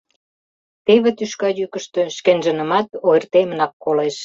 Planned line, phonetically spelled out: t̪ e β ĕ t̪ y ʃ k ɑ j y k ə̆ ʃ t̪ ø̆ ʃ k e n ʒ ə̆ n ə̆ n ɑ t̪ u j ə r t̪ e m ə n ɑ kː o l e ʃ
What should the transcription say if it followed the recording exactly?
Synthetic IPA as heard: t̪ e β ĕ t̪ y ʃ k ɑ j y k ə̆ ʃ t̪ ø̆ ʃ k e n ʒ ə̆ n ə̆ m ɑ t̪ o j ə r t̪ e m ə n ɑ kː o l e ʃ